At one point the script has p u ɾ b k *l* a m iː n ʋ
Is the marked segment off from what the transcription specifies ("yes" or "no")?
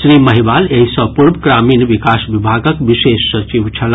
yes